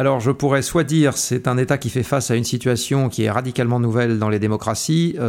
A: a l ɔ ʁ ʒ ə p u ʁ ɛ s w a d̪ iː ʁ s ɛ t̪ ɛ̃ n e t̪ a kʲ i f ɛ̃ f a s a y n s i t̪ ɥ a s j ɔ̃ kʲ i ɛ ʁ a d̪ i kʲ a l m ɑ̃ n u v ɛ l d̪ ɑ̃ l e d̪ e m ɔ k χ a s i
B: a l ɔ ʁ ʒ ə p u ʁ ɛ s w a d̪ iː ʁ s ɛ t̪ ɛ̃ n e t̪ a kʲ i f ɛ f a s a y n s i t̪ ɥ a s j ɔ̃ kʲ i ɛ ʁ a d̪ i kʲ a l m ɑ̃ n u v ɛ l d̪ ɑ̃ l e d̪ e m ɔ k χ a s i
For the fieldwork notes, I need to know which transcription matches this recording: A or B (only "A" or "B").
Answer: B